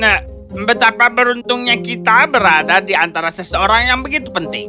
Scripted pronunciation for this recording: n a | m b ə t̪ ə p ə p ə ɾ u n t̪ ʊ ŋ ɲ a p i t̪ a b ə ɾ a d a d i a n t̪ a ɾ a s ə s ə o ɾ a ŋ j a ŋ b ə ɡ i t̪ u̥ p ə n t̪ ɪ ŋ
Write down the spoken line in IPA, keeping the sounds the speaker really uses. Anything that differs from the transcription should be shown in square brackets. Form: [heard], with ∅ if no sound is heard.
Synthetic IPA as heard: n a | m b ə t̪ [a] p [a] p ə ɾ u n t̪ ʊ ŋ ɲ a [k] i t̪ a b ə ɾ a d a d i a n t̪ a ɾ a s ə s ə o ɾ a ŋ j a ŋ b ə ɡ i t̪ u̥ p ə n t̪ ɪ ŋ